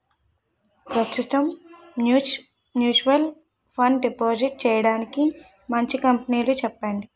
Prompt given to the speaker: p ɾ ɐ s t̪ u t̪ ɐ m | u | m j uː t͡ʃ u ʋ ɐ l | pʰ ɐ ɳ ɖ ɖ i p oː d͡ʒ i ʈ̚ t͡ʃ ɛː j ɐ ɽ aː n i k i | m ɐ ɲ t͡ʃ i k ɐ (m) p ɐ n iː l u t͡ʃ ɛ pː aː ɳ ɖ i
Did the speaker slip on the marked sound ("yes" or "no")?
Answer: no